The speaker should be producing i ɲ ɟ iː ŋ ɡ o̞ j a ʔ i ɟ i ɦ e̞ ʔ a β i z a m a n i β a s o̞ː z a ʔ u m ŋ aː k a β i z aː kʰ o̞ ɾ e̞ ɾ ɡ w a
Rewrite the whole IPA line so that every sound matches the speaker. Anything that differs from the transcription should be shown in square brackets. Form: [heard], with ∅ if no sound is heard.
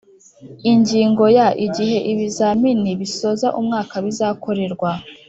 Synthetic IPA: i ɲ ɟ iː ŋ ɡ o̞ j a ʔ i ɟ i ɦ e̞ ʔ [i] β i z a m [i] n i β [i] s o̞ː z a ʔ u m ŋ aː k a β i z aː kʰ o̞ ɾ e̞ ɾ ɡ w a